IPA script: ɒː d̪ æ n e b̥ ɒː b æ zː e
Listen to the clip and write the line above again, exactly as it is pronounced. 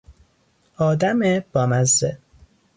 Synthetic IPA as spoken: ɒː d̪ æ m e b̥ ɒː m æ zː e